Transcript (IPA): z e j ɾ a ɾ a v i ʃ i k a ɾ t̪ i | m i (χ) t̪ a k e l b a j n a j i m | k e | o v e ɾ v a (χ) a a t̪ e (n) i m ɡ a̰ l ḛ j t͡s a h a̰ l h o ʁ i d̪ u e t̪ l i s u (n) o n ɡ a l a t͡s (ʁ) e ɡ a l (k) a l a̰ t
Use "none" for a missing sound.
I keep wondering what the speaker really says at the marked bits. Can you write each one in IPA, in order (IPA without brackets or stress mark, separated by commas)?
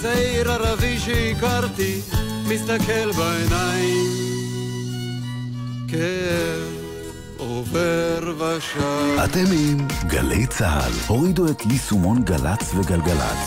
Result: s, ʃ, m, m, v, ɡ